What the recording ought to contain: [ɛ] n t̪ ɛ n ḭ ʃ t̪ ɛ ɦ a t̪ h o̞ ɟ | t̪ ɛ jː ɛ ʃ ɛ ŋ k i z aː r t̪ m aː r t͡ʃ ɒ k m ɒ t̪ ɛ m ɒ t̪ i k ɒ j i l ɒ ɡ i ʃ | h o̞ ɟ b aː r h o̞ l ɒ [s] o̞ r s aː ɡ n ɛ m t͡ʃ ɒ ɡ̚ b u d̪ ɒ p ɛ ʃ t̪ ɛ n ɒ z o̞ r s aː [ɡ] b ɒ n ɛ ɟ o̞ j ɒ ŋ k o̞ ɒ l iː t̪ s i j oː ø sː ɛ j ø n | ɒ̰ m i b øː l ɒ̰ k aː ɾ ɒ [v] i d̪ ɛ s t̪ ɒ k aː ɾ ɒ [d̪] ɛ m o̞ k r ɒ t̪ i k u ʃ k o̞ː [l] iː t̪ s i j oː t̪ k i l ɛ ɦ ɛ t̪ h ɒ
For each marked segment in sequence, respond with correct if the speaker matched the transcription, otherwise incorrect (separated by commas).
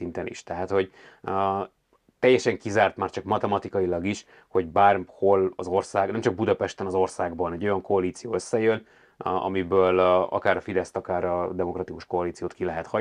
incorrect, incorrect, correct, incorrect, correct, correct